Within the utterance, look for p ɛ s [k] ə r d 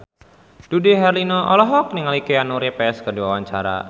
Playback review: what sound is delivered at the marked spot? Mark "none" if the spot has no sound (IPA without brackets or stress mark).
k